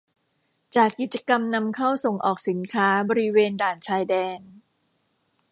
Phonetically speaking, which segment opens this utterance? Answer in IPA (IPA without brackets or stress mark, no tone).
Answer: t͡ɕ